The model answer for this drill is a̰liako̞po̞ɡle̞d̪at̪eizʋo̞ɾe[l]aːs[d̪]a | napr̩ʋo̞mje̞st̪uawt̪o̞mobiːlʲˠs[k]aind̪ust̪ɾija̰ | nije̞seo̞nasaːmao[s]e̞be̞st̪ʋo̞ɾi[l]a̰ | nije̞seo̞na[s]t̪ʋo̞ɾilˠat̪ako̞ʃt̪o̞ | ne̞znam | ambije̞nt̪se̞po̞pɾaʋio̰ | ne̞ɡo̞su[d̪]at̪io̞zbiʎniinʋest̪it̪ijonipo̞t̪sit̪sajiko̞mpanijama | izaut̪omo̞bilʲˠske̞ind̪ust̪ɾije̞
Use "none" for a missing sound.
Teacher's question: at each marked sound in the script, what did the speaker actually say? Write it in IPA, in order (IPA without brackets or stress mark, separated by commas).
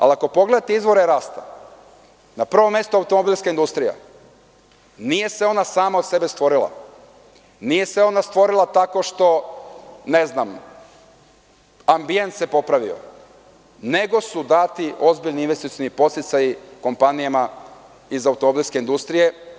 ɾ, t̪, k, s, l, s, d̪